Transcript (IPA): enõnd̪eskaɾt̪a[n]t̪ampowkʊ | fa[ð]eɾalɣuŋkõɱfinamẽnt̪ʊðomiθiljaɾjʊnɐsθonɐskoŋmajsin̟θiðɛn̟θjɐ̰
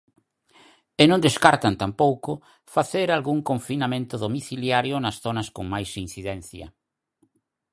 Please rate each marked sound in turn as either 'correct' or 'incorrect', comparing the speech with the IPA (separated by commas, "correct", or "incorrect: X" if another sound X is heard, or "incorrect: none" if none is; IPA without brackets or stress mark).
correct, incorrect: θ